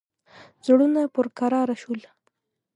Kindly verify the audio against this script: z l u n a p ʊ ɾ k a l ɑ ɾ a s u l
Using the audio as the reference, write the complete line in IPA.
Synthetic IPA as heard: z ɽ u n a p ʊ ɾ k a ɾ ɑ ɾ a ʃ u l